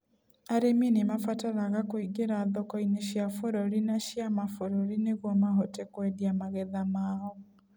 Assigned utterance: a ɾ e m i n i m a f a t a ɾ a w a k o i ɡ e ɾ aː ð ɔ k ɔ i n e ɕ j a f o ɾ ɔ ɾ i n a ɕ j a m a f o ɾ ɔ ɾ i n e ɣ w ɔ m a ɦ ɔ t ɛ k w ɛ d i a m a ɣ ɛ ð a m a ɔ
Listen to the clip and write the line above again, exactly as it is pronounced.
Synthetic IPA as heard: a ɾ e m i n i m a f a t a ɾ a ɣ a k o i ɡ e ɾ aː ð ɔ k ɔ i n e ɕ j a f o ɾ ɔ ɾ i n a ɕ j a m a f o ɾ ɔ ɾ i n e ɣ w ɔ m a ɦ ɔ t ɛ k w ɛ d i a m a ɣ ɛ ð a m a ɔ